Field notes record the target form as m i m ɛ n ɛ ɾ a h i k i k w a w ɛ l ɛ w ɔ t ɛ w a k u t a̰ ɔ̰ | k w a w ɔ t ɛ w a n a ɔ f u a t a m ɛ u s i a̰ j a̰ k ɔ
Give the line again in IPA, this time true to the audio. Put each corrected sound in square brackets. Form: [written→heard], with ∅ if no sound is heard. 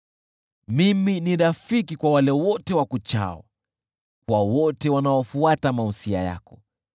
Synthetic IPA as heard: m i m [ɛ→i] n [ɛ→i] ɾ a [h→f] i k i k w a w [ɛ→a] l ɛ w ɔ t ɛ w a k u [t→t͡ʃ] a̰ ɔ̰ | k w a w ɔ t ɛ w a n a ɔ f u a t a m [ɛ→a] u s i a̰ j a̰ k ɔ

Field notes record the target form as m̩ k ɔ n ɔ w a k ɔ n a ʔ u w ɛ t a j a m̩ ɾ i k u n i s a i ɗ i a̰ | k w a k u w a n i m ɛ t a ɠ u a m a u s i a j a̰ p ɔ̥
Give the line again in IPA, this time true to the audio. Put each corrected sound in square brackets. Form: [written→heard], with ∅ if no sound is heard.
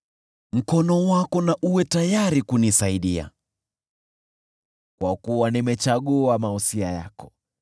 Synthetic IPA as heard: m̩ k ɔ n ɔ w a k ɔ n a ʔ u w ɛ t a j a [m̩→∅] ɾ i k u n i s a i ɗ i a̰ | k w a k u w a n i m ɛ [t→t͡ʃ] a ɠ u a m a u s i a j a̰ [p→k] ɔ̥

